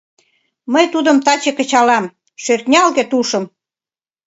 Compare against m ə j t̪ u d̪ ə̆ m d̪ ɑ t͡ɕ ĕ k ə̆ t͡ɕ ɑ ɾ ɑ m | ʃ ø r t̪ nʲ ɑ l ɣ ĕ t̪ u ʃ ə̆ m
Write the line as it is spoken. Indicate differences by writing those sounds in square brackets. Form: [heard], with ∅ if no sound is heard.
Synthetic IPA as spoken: m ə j t̪ u d̪ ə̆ m [t̪] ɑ t͡ɕ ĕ k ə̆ t͡ɕ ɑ [l] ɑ m | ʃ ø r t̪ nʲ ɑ l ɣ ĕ t̪ u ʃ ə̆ m